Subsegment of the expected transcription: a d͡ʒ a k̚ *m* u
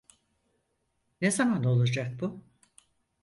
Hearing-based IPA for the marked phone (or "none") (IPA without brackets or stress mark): b